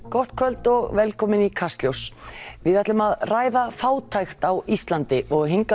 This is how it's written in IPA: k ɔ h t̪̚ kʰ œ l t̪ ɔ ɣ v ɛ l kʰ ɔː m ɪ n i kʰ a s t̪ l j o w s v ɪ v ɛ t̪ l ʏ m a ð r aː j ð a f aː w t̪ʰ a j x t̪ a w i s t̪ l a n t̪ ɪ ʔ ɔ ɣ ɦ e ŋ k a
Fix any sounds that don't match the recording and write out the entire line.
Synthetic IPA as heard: k ɔ h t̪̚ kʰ œ l t̪ ɔ ɣ v ɛ l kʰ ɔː m ɪ n i kʰ a s t̪ l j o w s v ɪ ð ɛ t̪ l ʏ m a ð r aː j ð a f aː w t̪ʰ a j x t̪ a w i s t̪ l a n t̪ ɪ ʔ ɔ ɣ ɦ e ŋ k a